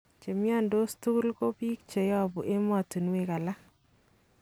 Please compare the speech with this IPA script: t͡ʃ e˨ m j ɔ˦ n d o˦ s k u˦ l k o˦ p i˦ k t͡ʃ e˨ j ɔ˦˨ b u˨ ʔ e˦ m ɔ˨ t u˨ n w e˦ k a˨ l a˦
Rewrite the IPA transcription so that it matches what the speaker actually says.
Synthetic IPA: t͡ʃ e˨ m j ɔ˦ n d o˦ s t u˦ l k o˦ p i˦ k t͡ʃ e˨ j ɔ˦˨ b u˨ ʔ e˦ m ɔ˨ t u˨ n w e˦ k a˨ l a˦